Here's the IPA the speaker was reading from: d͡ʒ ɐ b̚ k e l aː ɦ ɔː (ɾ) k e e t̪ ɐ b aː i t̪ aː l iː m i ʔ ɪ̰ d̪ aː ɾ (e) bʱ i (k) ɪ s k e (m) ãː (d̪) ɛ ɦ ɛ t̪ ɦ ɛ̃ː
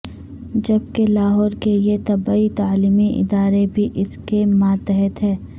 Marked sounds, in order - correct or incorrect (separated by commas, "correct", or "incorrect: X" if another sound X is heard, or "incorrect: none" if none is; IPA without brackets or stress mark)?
correct, correct, incorrect: ʔ, correct, incorrect: t̪